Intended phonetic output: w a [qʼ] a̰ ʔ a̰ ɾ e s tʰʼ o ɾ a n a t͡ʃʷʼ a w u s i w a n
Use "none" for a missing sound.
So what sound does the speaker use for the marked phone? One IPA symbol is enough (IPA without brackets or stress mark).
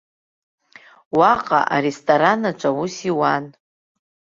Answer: qʼ